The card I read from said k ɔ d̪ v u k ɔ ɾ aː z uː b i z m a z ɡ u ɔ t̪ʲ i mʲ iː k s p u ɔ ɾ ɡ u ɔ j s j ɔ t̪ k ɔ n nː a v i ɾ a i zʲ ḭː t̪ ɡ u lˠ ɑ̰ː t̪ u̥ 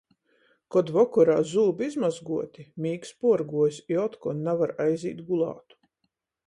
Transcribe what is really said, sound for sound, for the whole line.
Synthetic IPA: k ɔ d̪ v ɔ k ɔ ɾ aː z uː b i z m a z ɡ u ɔ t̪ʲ i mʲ iː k s p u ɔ ɾ ɡ u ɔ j s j ɔ t̪ k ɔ n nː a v a ɾ a j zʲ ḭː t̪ ɡ u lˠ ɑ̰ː t̪ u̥

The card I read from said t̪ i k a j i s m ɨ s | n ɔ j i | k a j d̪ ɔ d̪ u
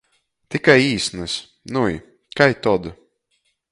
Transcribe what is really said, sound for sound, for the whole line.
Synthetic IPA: t̪ i k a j iː s n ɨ s | n u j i | k a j t̪ ɔ d̪ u

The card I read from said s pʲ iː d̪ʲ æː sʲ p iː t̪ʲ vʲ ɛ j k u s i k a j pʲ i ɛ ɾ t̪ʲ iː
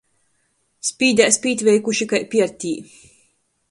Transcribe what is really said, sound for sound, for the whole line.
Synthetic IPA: s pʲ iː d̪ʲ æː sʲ p iː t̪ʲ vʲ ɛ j k u ʃ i k a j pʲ i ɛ ɾ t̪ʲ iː

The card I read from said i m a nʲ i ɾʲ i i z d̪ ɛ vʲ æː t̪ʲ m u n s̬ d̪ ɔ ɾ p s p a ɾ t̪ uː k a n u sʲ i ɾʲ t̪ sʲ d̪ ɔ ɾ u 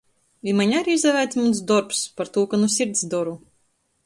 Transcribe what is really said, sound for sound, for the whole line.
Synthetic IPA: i m a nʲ a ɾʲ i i z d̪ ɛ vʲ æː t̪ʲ m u n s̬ d̪ ɔ ɾ p s p a ɾ t̪ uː k a n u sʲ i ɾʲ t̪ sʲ d̪ ɔ ɾ u

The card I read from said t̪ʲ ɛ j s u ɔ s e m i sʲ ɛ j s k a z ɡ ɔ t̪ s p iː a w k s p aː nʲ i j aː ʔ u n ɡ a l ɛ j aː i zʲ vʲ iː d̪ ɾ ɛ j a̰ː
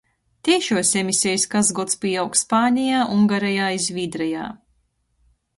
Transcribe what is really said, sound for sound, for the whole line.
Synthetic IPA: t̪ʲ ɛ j ʃ u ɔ s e m i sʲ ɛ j s k a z ɡ ɔ t̪ s p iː a w k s p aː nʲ i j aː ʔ u ŋ ɡ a ɾ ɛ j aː i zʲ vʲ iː d̪ ɾ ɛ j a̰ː

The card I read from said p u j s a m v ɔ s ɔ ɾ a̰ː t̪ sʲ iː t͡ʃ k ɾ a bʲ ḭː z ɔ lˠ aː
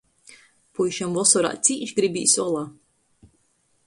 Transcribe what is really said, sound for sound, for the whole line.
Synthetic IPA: p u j ʃ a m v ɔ s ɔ ɾ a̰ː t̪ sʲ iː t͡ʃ ɡ ɾ i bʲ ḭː s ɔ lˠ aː

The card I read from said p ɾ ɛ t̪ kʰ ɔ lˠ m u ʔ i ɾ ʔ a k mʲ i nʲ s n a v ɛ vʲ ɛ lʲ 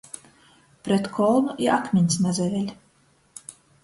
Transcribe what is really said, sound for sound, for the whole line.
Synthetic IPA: p ɾ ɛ t̪ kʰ ɔ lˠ n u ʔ i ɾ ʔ a k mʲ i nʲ s n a z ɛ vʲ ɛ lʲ

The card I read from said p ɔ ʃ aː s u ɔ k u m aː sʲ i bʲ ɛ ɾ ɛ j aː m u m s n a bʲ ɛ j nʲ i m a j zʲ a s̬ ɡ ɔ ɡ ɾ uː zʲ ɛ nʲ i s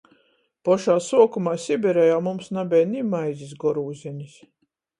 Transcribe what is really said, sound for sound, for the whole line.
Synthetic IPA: p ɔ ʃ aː s u ɔ k u m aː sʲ i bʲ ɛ ɾ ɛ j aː m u m s n a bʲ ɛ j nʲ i m a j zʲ i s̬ ɡ ɔ ɾ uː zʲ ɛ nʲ i s

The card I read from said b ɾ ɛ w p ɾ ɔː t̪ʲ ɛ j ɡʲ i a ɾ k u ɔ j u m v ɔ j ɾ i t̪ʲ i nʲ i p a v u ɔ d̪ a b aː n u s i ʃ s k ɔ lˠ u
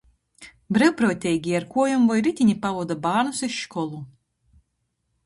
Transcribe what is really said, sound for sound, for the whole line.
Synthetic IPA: b ɾ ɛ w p ɾ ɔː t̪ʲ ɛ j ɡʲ i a ɾ k u ɔ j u m v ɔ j ɾ i t̪ʲ i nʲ i p a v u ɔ d̪ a b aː n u s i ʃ ʃ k ɔ lˠ u

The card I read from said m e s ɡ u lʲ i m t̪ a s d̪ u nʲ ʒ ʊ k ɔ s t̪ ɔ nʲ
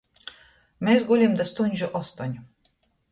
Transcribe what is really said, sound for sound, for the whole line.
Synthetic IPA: m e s ɡ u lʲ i m d̪ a s t̪ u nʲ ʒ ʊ ʔ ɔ s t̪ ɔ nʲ

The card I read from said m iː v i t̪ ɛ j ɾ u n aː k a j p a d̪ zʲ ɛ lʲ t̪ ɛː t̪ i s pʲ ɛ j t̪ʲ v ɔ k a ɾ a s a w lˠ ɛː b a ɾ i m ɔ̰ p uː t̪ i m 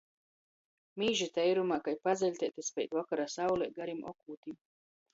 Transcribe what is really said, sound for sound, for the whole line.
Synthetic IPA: m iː ʒ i t̪ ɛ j ɾ u m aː k a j p a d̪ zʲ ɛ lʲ t̪ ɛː t̪ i s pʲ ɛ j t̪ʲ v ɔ k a ɾ a s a w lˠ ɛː ɡ a ɾ i m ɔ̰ k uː t̪ i m

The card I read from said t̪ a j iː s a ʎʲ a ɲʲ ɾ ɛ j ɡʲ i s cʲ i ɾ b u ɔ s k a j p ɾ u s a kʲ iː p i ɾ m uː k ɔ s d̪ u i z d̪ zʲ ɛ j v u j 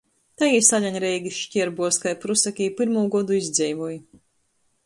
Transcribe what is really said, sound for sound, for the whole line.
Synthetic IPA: t̪ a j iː s a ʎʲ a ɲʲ ɾ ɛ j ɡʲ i ʃ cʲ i ɾ b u ɔ s k a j p ɾ u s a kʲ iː p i ɾ m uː ɡ ɔ d̪ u i z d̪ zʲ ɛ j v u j

